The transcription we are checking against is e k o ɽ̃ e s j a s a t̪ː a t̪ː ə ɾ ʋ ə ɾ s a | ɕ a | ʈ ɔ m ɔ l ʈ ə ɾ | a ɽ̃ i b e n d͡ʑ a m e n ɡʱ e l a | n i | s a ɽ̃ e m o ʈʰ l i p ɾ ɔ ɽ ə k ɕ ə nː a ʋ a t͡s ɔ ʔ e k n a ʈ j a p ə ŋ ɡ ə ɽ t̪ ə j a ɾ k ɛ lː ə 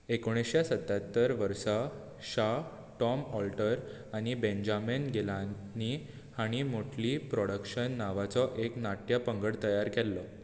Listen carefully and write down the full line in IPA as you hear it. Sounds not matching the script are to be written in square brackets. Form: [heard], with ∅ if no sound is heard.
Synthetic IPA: e k o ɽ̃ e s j a s [ə] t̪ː a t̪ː ə ɾ ʋ ə ɾ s a | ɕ a | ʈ ɔ m ɔ l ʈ ə ɾ | a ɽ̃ i b e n d͡ʑ a m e n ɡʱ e l a | n i | [h] a ɽ̃ [i] m o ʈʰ l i p ɾ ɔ ɽ ə k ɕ ə nː a ʋ a t͡s ɔ ʔ e k n a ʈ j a p ə ŋ ɡ ə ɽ t̪ ə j a ɾ k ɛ lː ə

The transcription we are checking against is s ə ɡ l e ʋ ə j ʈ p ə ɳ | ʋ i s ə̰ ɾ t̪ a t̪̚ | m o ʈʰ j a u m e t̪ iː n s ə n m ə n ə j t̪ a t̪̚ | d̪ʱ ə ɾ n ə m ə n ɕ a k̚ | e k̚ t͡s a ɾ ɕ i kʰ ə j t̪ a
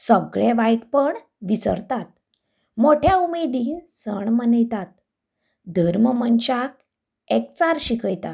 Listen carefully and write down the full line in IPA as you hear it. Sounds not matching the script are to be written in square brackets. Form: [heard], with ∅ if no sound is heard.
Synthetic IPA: s ə ɡ [ɭ] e ʋ [a] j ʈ p ə ɳ | ʋ i s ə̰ ɾ t̪ a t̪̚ | m o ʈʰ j a u m e [d̪] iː n s ə [ɳ] m ə n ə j t̪ a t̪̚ | d̪ʱ ə ɾ [m] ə m ə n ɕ a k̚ | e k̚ t͡s a ɾ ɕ i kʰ ə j t̪ a

